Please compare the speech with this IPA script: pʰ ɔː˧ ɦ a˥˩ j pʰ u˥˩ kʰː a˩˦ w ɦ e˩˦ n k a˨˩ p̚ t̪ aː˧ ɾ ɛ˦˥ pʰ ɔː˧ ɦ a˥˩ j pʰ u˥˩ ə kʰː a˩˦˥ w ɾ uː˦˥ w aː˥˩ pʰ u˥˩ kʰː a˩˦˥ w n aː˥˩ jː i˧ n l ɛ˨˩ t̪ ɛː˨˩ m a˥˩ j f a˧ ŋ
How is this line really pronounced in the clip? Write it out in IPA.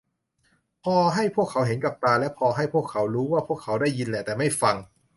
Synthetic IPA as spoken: pʰ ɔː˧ ɦ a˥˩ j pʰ u˥˩ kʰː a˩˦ w ɦ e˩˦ n k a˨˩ p̚ t̪ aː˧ l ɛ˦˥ pʰ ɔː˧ ɦ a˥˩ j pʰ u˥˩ ə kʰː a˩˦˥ w ɾ uː˦˥ w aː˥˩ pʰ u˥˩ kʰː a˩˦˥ w d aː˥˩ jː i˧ n l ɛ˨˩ t̪ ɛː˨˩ m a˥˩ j f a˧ ŋ